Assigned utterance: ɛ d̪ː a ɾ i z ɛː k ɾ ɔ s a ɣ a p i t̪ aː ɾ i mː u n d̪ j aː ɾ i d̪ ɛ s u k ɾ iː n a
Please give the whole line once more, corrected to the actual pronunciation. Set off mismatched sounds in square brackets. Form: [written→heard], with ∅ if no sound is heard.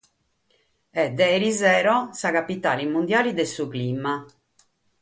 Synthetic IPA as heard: ɛ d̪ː [a→ɛ] ɾ i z ɛː [k→∅] ɾ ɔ s a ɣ a p i t̪ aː [ɾ→l] i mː u n d̪ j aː [ɾ→l] i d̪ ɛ s u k [ɾ→l] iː [n→m] a